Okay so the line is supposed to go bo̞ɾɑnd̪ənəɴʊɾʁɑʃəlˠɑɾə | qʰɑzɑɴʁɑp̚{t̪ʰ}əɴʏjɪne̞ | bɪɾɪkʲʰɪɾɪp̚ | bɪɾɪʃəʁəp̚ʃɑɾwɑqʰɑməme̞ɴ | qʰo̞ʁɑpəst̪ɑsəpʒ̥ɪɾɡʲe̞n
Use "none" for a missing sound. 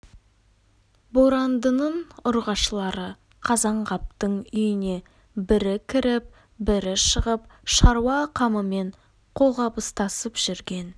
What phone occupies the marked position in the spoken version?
t̪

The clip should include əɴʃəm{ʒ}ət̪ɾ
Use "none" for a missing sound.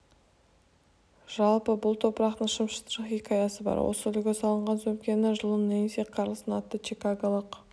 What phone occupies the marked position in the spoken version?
ʃ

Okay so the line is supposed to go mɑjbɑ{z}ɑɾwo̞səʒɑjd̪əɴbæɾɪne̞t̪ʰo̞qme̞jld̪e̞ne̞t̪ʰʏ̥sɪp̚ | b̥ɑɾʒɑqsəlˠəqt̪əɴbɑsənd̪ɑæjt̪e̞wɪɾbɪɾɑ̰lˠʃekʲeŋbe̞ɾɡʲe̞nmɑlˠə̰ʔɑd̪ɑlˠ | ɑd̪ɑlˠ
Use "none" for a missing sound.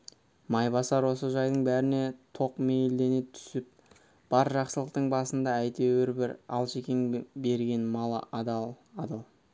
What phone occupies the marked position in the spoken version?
s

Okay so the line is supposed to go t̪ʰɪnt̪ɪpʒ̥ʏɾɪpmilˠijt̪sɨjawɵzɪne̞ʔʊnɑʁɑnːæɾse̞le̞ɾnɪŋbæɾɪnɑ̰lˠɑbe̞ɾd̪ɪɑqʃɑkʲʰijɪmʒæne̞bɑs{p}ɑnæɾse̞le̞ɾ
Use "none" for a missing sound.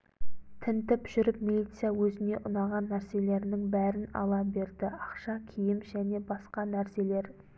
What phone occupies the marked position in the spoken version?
q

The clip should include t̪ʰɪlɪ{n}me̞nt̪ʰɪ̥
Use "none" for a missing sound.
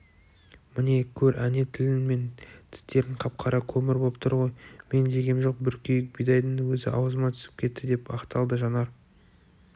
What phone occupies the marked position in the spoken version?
n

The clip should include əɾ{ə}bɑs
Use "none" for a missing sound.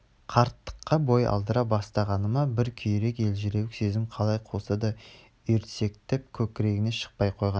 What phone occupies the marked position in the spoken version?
ɑ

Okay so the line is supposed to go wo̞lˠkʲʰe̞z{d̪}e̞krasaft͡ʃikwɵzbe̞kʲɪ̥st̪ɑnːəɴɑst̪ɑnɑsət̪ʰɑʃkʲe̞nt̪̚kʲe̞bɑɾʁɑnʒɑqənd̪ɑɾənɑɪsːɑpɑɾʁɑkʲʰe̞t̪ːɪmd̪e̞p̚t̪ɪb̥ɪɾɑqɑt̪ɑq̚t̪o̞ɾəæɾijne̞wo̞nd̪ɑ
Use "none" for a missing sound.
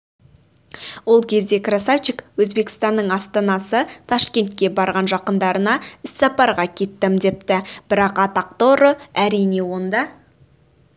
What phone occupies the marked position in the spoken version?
d̪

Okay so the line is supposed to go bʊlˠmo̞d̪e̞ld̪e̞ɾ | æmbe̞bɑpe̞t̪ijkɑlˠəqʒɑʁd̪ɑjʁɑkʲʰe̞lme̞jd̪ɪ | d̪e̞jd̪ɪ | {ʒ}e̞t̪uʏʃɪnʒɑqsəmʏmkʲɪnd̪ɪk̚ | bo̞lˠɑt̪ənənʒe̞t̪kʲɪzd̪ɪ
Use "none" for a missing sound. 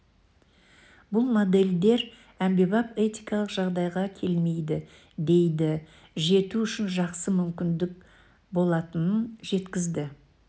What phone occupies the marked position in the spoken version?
ʒ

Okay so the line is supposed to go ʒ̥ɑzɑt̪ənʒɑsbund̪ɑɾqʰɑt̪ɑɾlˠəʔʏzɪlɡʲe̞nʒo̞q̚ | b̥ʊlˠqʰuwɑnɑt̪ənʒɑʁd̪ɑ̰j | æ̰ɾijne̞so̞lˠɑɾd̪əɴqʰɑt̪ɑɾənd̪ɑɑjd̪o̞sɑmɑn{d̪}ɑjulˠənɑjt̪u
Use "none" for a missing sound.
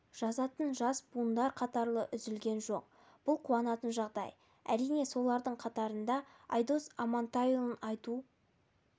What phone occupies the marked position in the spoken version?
t̪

